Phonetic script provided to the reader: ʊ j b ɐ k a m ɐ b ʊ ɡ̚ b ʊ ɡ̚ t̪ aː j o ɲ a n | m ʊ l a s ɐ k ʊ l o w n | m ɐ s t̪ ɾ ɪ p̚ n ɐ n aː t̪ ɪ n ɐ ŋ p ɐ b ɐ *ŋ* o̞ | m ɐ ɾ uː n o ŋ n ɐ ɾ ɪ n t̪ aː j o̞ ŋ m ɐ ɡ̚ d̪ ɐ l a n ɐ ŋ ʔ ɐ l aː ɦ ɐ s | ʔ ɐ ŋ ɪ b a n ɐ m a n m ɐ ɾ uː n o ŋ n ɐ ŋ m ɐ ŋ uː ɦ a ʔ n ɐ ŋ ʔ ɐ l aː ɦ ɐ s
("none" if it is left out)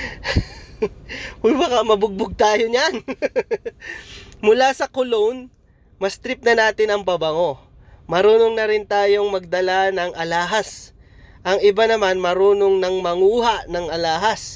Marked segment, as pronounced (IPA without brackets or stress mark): ŋ